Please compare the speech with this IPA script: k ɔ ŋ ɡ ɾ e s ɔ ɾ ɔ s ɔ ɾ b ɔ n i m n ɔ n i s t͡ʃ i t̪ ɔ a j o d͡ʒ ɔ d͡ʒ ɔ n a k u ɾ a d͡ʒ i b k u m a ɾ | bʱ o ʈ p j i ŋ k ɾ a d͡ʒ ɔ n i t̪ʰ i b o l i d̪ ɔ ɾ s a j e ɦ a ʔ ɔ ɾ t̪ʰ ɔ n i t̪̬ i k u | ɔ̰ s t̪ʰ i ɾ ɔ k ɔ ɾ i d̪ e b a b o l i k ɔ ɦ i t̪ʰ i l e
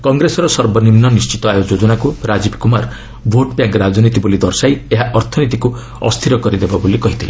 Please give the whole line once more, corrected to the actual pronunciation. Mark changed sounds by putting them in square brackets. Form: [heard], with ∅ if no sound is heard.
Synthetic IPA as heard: k ɔ ŋ ɡ ɾ e s ɔ ɾ ɔ s ɔ ɾ b ɔ n i m n ɔ n i s t͡ʃ i t̪ ɔ a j o d͡ʒ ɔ d͡ʒ ɔ n a k u ɾ a d͡ʒ i b k u m a ɾ | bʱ o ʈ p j [a] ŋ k ɾ a d͡ʒ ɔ n i [t̪] i b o l i d̪ ɔ ɾ s a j e ɦ a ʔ ɔ ɾ t̪ʰ ɔ n i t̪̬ i k u | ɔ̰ s t̪ʰ i ɾ ɔ k ɔ ɾ i d̪ e b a b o l i k ɔ ɦ i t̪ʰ i l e

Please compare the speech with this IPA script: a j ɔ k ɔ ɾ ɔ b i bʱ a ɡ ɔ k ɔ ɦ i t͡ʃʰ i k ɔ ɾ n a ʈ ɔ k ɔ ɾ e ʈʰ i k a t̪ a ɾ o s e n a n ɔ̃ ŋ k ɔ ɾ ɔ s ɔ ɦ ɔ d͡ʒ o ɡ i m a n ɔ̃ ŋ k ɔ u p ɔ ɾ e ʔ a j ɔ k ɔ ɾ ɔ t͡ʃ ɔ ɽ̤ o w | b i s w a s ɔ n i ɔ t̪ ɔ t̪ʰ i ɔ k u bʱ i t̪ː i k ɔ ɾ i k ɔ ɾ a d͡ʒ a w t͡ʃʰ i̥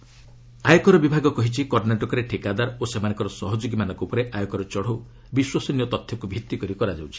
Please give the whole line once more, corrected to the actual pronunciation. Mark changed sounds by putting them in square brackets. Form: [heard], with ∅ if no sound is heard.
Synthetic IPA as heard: a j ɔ k ɔ ɾ ɔ b i bʱ a ɡ ɔ k ɔ ɦ i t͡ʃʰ i k ɔ ɾ n a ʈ ɔ k ɔ ɾ e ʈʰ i k a [d̪] a ɾ o s e [m] a n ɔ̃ ŋ k ɔ ɾ ɔ s ɔ ɦ ɔ d͡ʒ o ɡ i m a n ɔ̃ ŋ k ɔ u p ɔ ɾ e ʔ a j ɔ k ɔ ɾ ɔ t͡ʃ ɔ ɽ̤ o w | b i s w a s ɔ n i ɔ t̪ ɔ t̪ʰ [j] ɔ k u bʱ i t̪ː i k ɔ ɾ i k ɔ ɾ a d͡ʒ a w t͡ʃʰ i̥

